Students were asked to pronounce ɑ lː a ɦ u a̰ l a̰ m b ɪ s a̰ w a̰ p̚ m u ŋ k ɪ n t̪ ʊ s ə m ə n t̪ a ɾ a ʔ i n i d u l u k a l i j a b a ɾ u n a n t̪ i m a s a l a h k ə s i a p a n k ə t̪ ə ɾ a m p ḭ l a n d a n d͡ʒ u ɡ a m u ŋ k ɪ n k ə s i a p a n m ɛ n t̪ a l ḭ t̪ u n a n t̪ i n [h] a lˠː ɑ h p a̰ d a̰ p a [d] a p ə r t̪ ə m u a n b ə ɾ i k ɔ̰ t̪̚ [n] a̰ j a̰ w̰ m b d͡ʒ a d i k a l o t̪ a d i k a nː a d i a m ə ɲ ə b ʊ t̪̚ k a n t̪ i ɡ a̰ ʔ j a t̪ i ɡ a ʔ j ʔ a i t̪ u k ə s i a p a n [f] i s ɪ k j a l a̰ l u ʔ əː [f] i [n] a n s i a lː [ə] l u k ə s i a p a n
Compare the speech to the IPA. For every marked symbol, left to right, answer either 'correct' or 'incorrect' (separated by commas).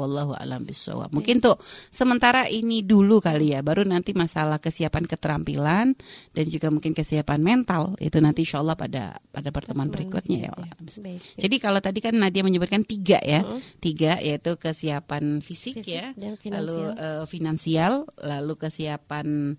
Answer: incorrect, correct, incorrect, correct, correct, correct, incorrect